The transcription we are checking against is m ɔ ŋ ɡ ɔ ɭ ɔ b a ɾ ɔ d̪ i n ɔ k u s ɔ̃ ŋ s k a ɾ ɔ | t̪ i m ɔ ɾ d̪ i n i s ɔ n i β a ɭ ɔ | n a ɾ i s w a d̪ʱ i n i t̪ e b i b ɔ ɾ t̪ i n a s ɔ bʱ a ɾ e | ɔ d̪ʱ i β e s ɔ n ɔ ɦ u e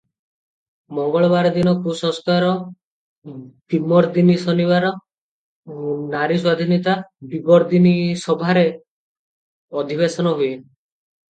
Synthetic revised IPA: m ɔ ŋ ɡ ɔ ɭ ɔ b a ɾ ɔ d̪ i n ɔ k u s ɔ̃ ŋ s k a ɾ ɔ | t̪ i m ɔ ɾ d̪ i n i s ɔ n i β a ɾ ɔ | n a ɾ i s w a d̪ʱ i n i t̪ a b i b ɔ ɾ d̪ i n i s ɔ bʱ a ɾ e | ɔ d̪ʱ i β e s ɔ n ɔ ɦ u e